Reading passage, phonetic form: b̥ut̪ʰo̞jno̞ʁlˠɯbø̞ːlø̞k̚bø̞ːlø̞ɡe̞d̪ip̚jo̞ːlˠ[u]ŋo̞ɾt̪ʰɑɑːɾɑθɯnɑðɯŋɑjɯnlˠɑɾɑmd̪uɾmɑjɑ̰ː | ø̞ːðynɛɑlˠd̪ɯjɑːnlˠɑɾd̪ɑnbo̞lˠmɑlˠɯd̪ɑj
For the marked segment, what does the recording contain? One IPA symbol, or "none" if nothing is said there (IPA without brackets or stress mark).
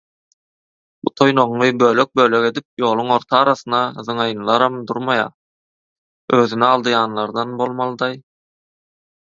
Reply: u